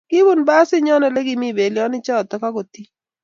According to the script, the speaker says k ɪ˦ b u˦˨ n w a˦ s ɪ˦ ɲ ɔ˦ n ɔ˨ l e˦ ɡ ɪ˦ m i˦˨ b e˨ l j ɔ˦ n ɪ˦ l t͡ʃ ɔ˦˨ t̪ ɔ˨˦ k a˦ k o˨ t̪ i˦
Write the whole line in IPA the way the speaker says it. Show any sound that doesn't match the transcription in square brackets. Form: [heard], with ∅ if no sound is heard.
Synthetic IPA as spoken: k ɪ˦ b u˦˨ n [b] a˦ s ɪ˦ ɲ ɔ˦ n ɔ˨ l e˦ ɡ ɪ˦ m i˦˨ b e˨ l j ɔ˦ n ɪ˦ [∅] t͡ʃ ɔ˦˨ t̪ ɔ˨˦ k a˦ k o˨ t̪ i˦